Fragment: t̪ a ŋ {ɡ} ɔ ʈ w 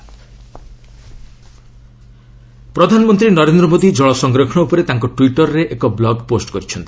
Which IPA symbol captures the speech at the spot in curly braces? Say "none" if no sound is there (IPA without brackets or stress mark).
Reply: k